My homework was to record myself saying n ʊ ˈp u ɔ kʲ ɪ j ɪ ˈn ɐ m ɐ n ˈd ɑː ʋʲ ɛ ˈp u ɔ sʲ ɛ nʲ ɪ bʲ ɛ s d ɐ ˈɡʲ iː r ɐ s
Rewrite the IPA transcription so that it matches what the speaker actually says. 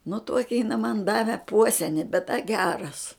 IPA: n ʊ ˈt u ɔ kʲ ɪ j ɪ ˈn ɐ m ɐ n ˈd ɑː ʋʲ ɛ ˈp u ɔ sʲ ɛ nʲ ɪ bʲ ɛ t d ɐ ˈɡʲ æː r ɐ s